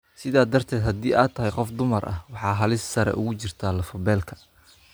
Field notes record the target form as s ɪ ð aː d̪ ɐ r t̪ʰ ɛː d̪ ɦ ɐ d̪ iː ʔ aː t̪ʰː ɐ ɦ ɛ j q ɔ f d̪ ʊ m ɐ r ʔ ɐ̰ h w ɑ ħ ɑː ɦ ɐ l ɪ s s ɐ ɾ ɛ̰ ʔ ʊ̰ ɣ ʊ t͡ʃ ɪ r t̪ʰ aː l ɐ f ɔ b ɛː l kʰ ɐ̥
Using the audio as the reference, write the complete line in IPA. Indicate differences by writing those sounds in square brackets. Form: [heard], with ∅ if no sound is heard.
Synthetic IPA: s ɪ ð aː d̪ ɐ r t̪ʰ ɛː d̪ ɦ ɐ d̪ iː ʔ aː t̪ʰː ɐ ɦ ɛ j q ɔ f d̪ ʊ m ɐ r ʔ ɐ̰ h w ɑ ħ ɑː ɦ ɐ l ɪ s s ɐ ɾ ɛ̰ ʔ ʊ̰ ɣ ʊ t͡ʃ ɪ r t̪ʰ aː l ɐ f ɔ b ɛː l kʰ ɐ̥

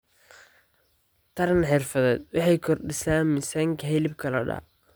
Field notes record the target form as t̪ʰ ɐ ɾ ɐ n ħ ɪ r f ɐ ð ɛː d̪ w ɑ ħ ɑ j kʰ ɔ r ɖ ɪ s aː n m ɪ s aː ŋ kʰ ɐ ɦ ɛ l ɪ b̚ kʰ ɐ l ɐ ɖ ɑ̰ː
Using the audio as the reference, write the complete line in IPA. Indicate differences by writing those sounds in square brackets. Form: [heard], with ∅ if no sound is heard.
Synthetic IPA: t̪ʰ ɐ ɾ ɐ n ħ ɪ r f ɐ ð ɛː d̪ w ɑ ħ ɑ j kʰ ɔ r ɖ ɪ s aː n m ɪ s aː ŋ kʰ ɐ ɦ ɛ l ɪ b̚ kʰ ɐ l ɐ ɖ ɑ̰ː

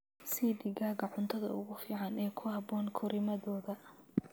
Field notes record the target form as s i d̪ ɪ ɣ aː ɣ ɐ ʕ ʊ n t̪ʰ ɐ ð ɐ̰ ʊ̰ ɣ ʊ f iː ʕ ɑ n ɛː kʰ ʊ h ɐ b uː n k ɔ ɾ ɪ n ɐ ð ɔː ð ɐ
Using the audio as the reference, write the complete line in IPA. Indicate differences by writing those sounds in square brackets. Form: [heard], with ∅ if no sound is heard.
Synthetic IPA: s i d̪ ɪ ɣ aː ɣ ɐ ʕ ʊ n t̪ʰ ɐ ð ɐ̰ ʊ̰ ɣ ʊ f iː ʕ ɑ n ɛː kʰ ʊ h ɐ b [ɔː] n [kʰ] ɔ ɾ ɪ [m] ɐ ð ɔː ð ɐ

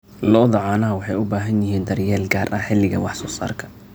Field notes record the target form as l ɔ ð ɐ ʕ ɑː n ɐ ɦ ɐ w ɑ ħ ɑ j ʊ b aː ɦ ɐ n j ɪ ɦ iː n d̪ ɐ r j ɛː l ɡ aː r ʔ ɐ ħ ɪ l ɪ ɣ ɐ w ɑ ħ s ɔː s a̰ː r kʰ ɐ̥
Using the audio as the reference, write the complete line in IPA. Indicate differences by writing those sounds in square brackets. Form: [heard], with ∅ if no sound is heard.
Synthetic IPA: l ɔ ð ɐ ʕ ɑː n ɐ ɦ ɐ w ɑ ħ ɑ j ʊ b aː ɦ ɐ n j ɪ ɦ iː n d̪ ɐ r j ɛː l ɡ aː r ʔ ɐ ħ ɪ l ɪ ɣ ɐ w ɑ ħ s ɔː s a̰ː r kʰ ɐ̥

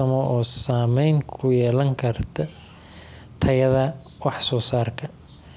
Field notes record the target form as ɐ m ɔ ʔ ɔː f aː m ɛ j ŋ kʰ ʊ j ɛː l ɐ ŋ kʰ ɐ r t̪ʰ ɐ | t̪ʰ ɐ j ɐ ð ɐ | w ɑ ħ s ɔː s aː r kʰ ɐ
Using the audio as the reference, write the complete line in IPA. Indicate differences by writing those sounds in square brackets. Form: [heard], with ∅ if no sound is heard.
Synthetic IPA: ɐ m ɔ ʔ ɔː [s] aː m ɛ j ŋ kʰ ʊ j ɛː l ɐ ŋ kʰ ɐ r t̪ʰ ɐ | t̪ʰ ɐ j ɐ ð ɐ | w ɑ ħ s ɔː s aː r kʰ ɐ

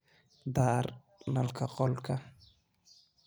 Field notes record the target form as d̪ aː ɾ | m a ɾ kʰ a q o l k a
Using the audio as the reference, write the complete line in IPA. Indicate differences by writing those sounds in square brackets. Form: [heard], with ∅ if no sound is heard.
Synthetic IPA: d̪ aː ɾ | [n] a [l] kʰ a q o l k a

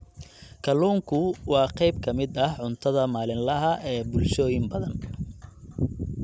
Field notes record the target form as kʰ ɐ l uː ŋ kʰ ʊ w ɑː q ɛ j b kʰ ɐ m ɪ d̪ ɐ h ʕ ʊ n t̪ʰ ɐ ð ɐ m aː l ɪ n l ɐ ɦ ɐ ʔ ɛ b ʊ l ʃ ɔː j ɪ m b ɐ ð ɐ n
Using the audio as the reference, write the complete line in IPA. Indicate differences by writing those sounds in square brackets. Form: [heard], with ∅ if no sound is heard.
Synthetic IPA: kʰ ɐ l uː ŋ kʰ ʊ w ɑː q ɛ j b kʰ ɐ m ɪ d̪ ɐ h ʕ ʊ n t̪ʰ ɐ ð ɐ m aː l ɪ n l ɐ ɦ ɐ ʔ [ɛː] b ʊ l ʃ ɔː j ɪ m b ɐ ð ɐ n

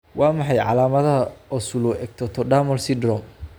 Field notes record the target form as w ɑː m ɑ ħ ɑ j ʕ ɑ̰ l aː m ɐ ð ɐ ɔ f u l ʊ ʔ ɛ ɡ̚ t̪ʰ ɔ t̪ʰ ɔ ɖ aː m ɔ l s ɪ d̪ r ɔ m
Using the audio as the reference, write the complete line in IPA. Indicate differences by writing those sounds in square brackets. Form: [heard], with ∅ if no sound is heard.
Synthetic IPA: w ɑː m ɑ ħ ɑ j ʕ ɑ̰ l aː m ɐ ð ɐ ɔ [s] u l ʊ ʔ ɛ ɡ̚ t̪ʰ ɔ t̪ʰ ɔ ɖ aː m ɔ l s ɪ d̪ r ɔ m

